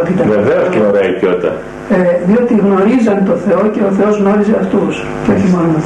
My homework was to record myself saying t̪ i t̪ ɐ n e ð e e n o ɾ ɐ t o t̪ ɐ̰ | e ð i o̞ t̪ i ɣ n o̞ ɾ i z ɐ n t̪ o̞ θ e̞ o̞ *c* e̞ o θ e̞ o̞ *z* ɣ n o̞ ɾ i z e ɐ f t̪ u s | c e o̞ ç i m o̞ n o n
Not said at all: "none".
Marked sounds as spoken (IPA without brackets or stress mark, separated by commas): c, z